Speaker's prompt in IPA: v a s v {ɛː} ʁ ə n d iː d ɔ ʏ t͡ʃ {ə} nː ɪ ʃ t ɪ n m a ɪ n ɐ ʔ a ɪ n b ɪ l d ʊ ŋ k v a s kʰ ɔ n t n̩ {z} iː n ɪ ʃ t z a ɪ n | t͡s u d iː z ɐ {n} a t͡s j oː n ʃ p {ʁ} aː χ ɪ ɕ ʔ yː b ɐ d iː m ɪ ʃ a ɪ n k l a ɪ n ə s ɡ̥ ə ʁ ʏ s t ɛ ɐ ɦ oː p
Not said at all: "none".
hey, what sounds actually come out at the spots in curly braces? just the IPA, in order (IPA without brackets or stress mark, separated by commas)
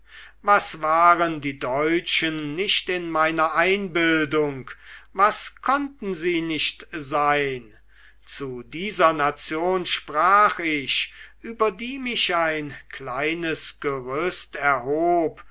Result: aː, ə, z, n, ʁ